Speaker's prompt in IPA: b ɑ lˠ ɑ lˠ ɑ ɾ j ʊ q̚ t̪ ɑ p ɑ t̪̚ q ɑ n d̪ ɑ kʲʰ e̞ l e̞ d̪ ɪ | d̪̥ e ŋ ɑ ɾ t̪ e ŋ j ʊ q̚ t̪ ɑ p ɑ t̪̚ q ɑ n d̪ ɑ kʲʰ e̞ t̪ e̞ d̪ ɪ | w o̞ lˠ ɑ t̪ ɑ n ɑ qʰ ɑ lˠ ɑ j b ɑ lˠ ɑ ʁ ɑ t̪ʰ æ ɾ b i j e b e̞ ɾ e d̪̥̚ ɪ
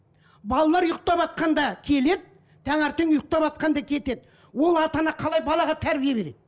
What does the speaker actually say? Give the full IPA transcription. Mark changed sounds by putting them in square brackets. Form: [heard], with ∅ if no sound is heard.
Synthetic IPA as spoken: b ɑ lˠ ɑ lˠ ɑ ɾ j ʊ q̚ t̪ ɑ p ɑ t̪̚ q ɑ n d̪ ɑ kʲʰ e̞ l e̞ d̪ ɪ | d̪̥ [æ] ŋ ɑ ɾ t̪ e ŋ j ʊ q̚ t̪ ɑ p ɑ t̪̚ q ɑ n d̪ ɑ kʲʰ e̞ t̪ e̞ d̪ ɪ | w o̞ lˠ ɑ t̪ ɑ n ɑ qʰ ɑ lˠ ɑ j b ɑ lˠ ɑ ʁ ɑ t̪ʰ æ ɾ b i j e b e̞ ɾ e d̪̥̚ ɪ